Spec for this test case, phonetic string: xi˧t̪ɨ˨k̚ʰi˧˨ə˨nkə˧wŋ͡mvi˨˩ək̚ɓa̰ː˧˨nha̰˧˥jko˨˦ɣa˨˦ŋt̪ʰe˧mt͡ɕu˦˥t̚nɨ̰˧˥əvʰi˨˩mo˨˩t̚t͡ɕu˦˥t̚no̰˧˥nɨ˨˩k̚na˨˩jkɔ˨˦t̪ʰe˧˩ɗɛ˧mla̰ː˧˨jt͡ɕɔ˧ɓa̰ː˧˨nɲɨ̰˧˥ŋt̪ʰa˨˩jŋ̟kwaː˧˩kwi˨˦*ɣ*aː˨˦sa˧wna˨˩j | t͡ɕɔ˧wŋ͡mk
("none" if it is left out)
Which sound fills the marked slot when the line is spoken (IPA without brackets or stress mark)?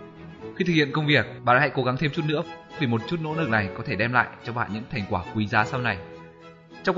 z